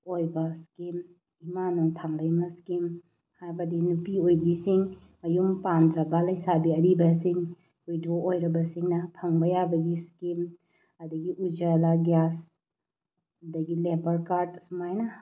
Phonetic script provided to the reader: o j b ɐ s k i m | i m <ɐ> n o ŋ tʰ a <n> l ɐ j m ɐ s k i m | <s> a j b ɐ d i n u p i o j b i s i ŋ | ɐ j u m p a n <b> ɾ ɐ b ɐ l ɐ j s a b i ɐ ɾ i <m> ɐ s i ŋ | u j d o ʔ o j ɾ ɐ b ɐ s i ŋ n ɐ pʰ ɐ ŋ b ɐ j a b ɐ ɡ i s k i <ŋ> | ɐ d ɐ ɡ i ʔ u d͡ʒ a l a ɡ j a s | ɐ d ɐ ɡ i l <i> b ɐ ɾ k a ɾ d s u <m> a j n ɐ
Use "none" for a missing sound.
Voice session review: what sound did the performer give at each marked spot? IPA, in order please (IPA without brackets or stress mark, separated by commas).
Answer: a, ŋ, h, d, b, m, e, m